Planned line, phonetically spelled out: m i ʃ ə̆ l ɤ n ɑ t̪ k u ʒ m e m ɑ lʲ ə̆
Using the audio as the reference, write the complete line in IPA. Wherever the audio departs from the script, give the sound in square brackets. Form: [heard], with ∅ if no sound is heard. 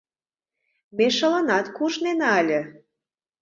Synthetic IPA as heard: m [e] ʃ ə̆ l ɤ n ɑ t̪ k u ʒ [n] e [n] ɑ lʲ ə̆